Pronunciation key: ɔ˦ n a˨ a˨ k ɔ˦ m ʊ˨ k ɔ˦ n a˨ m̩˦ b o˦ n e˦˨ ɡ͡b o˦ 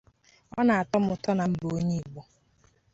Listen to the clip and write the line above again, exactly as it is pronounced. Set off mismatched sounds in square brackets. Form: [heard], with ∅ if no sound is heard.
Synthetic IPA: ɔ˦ n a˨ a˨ [t] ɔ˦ m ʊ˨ [t] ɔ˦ n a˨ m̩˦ b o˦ [ɲ] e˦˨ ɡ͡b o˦